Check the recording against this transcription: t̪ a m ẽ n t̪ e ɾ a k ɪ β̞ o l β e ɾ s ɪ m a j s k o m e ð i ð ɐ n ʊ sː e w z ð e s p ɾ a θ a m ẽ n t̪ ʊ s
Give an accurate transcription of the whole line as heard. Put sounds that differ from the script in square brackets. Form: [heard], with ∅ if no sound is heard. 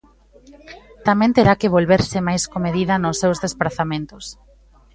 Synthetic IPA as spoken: t̪ a m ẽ n t̪ e ɾ a k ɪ β̞ o l β e ɾ s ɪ m a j s k o m e ð i ð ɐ n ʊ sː e w z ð e s p ɾ a θ a m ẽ n t̪ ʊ s